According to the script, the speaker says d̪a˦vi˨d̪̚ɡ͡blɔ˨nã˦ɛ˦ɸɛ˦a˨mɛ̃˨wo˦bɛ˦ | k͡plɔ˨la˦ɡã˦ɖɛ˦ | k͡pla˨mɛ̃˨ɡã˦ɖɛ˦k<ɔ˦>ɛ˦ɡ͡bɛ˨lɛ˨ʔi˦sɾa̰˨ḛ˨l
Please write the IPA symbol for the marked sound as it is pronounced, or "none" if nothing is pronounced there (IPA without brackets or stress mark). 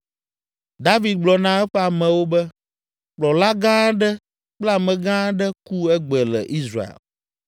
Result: u˦